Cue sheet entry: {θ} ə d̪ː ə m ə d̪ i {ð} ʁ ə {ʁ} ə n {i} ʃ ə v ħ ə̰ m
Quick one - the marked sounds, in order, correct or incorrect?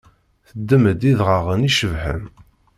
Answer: correct, correct, correct, correct

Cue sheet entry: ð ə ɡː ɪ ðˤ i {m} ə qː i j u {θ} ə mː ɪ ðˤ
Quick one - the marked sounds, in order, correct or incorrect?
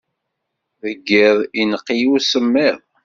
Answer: incorrect: n, incorrect: s

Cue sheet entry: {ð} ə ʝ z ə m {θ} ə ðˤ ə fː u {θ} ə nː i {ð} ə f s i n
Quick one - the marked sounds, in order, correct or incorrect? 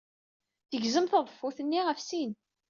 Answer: incorrect: θ, correct, correct, incorrect: ʁ

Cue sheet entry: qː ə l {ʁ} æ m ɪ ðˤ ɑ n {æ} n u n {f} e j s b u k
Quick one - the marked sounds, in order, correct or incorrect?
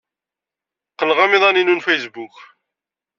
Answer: correct, incorrect: i, correct

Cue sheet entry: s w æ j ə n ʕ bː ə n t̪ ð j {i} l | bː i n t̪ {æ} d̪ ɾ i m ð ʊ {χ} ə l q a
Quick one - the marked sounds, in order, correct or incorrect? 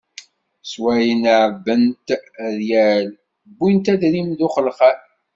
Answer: incorrect: æ, correct, correct

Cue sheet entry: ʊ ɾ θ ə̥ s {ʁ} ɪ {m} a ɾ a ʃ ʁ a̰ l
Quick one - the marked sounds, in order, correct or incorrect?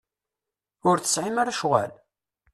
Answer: incorrect: ʕ, correct

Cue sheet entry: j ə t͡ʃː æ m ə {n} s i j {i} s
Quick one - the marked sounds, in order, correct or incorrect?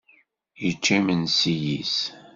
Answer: correct, correct

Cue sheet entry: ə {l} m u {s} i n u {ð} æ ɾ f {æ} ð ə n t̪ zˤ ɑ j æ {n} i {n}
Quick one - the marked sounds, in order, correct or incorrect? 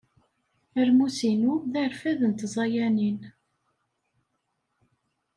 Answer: incorrect: ɾ, correct, correct, correct, correct, correct

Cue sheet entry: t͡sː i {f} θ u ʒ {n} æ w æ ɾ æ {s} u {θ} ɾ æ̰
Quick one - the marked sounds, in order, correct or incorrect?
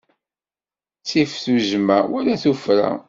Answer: correct, incorrect: m, incorrect: θ, incorrect: f

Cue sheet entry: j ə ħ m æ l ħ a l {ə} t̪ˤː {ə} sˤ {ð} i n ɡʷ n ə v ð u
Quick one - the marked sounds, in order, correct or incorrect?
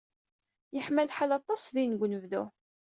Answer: incorrect: ɑ, incorrect: ɑ, correct

